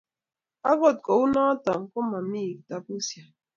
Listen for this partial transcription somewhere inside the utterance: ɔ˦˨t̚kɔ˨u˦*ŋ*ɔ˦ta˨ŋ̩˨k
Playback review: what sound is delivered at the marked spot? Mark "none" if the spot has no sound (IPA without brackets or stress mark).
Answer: n